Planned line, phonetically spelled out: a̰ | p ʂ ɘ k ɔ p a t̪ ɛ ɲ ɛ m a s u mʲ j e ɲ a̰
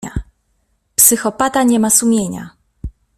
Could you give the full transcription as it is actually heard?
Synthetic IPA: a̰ | p s ɘ x ɔ p a t̪ a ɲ ɛ m a s u mʲ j e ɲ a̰